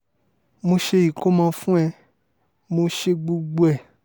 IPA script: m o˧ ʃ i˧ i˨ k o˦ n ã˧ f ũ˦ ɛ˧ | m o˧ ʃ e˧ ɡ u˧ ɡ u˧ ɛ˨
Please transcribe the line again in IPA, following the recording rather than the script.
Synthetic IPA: m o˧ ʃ e˧ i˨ k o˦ m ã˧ f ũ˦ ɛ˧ | m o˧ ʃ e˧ ɡ͡b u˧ ɡ͡b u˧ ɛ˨